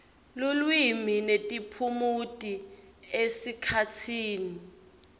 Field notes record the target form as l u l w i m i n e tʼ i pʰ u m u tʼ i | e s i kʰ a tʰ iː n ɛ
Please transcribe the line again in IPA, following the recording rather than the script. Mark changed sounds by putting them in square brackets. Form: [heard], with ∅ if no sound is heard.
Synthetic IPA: l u l w i m i n e tʼ i pʰ u m u tʼ i | e s i kʰ a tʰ iː n [i]